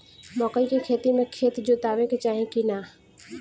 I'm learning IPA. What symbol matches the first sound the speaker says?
m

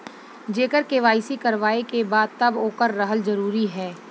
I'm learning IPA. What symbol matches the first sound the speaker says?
d͡ʒ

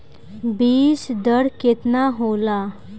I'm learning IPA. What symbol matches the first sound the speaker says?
b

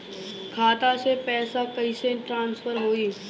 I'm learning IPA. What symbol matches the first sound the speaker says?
kʰ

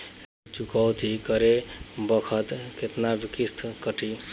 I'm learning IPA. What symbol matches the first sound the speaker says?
t͡ʃ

